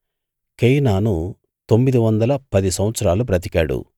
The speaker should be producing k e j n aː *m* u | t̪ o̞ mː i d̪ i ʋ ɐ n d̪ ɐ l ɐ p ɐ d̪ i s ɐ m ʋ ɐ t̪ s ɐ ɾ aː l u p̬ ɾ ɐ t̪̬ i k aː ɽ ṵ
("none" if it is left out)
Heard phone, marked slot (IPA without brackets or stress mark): n